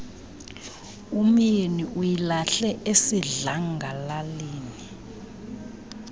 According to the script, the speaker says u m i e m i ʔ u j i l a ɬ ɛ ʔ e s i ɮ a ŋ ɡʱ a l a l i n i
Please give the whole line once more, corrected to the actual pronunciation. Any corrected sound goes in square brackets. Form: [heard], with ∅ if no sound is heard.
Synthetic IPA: u m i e [n] i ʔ u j i l a ɬ ɛ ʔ e s i ɮ a ŋ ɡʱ a l a l [iː] n i